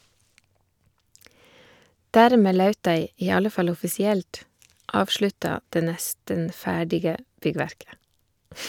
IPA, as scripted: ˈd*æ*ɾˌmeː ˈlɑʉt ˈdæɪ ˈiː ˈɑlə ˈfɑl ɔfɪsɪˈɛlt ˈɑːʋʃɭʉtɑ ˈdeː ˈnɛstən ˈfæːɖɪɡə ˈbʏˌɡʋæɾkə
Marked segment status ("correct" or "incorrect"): incorrect